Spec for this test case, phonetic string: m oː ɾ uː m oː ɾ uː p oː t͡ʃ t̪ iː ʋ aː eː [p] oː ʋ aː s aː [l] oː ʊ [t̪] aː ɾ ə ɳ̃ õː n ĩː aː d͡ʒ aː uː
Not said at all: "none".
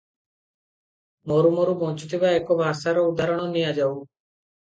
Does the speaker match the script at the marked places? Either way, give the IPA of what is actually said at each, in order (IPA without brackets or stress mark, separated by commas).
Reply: k, ɾ, d̪